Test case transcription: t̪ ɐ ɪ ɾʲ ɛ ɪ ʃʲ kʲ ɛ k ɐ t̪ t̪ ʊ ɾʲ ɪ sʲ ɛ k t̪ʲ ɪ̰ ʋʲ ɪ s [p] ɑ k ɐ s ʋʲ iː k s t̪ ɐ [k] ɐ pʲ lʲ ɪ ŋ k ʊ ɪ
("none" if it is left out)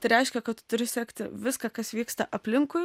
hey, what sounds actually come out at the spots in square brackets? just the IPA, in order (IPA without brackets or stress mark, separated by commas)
k, ʔ